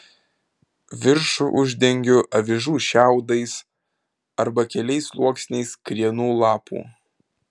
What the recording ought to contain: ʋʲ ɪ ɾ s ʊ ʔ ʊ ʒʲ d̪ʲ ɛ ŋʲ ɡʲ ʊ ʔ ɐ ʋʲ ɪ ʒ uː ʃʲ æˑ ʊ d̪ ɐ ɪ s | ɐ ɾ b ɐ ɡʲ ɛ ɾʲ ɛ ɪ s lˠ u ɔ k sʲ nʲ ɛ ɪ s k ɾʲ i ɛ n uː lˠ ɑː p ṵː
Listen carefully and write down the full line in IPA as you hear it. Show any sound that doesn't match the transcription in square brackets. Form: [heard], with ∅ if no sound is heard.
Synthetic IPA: ʋʲ ɪ ɾ [ʃ] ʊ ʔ ʊ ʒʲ d̪ʲ ɛ ŋʲ ɡʲ ʊ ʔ ɐ ʋʲ ɪ ʒ uː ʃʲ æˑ ʊ d̪ ɐ ɪ s | ɐ ɾ b ɐ [kʲ] ɛ [lʲ] ɛ ɪ s lˠ u ɔ k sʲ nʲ ɛ ɪ s k ɾʲ i ɛ n uː lˠ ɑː p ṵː